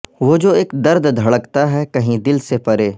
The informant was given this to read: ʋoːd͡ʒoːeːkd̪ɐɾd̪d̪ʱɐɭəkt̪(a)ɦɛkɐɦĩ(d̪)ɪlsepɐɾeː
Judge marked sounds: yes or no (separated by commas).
yes, yes